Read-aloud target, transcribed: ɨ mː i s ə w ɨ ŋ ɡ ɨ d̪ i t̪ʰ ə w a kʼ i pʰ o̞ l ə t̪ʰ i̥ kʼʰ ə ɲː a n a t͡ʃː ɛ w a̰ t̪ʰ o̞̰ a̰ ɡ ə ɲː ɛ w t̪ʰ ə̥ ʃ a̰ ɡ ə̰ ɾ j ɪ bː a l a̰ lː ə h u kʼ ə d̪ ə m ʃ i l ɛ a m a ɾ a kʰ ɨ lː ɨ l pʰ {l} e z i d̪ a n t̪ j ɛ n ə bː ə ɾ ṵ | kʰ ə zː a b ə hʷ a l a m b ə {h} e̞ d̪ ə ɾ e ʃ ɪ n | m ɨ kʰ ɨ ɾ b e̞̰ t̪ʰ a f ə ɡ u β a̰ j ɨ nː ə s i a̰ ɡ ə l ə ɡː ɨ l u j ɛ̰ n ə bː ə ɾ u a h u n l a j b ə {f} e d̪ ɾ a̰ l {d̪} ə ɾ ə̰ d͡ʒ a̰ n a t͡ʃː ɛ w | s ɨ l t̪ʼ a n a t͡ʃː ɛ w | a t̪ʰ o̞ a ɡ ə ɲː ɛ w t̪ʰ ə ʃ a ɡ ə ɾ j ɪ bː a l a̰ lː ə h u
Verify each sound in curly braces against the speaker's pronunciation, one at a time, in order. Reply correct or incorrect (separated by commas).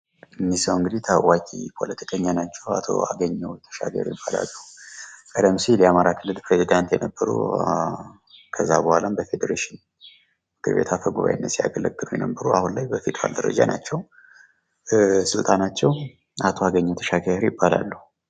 incorrect, incorrect, correct, correct